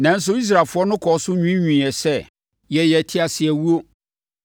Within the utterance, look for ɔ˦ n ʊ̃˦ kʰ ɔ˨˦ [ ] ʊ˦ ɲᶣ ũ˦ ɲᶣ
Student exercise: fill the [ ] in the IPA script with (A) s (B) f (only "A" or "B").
A